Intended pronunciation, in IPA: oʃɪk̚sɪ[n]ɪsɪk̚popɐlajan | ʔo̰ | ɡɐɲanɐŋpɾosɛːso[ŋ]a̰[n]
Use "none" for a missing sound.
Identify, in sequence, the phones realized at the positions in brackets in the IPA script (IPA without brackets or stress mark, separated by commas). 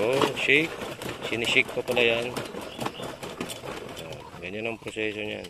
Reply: n, ɲ, n